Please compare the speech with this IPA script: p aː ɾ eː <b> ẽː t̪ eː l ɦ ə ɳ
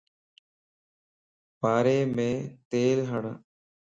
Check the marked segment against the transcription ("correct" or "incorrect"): incorrect